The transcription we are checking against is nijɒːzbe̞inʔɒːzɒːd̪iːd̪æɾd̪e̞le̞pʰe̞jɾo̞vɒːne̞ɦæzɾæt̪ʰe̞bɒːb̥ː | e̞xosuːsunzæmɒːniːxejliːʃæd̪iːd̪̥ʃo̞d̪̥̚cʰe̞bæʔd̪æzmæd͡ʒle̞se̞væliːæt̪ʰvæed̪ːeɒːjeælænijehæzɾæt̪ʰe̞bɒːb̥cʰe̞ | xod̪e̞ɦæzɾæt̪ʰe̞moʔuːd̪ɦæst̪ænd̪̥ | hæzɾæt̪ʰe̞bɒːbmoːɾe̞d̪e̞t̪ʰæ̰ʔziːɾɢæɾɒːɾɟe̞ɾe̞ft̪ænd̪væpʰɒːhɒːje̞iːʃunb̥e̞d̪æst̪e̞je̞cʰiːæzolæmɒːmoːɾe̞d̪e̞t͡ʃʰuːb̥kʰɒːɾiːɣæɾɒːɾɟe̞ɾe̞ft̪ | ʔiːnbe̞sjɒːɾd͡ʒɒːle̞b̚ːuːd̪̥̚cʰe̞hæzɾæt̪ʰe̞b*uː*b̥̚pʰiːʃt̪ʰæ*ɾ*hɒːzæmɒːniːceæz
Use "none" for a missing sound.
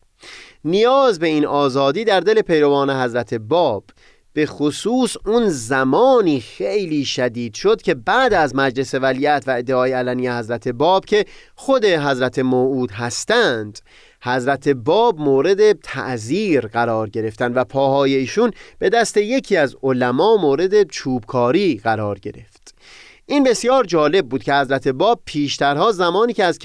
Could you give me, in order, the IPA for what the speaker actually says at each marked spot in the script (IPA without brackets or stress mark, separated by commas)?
ɒː, ɾ